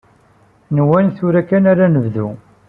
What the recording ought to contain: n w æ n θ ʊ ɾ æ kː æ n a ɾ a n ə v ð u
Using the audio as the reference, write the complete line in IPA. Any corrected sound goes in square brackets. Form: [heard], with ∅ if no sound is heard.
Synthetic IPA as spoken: n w æ n θ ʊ ɾ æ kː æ n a ɾ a n ə v ð u